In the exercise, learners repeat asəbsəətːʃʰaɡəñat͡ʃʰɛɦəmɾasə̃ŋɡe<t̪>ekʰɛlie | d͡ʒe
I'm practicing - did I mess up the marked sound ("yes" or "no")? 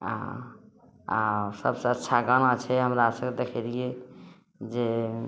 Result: yes